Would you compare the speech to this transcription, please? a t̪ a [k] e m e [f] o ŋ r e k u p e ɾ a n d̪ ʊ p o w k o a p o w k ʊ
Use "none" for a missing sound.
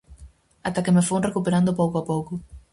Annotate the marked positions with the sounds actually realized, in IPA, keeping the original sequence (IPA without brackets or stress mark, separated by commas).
k, f